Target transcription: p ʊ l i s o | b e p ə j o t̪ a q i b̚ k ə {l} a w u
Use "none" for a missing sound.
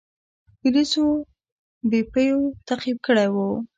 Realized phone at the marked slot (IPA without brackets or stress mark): ɽ